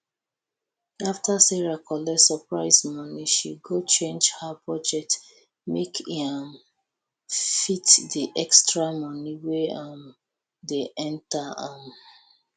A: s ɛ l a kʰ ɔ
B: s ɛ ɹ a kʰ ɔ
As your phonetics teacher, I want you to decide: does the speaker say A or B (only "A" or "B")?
B